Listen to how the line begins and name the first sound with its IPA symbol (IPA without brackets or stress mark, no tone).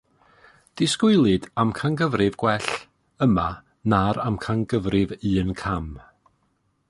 d̥